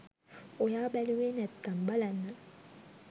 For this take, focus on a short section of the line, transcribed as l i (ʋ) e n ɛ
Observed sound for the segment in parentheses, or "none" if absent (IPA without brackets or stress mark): w